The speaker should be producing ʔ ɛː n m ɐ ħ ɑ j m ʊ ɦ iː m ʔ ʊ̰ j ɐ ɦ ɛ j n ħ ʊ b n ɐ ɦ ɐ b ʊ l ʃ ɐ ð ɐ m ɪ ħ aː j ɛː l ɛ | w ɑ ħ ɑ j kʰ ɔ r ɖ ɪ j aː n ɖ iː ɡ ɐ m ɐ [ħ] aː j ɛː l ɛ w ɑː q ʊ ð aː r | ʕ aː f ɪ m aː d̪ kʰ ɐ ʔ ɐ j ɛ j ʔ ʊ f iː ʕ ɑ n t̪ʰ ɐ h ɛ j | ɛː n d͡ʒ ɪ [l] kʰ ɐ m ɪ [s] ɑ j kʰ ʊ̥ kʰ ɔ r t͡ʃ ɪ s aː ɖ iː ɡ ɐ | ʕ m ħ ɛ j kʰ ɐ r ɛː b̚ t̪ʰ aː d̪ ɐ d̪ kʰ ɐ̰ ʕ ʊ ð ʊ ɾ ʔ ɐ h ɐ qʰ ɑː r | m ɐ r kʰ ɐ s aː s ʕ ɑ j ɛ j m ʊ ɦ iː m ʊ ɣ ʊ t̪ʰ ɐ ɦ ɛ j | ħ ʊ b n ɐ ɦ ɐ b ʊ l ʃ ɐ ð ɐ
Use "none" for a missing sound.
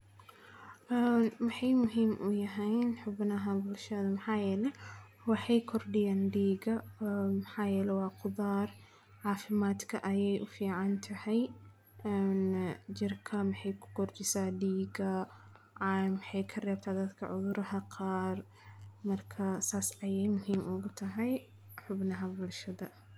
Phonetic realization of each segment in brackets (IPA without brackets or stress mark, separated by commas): ħ, r, ħ